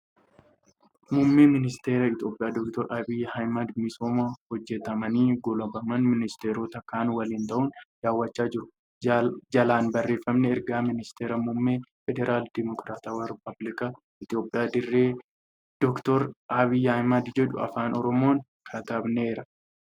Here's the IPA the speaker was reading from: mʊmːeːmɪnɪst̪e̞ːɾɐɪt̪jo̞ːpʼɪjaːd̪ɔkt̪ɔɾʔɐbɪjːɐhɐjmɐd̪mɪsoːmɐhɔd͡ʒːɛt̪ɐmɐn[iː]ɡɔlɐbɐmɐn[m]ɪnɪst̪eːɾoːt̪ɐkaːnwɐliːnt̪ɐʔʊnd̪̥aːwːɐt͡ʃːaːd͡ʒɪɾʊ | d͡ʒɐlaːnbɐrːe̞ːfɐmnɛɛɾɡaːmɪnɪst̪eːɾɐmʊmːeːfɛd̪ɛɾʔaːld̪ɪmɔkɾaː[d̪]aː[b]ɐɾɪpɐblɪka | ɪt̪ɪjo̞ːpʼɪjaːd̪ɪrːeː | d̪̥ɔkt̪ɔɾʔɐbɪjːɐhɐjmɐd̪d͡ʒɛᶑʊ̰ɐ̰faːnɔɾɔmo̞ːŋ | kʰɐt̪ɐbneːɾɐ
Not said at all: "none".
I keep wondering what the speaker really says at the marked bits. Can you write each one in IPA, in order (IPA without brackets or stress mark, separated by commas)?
iː, m, t̪, w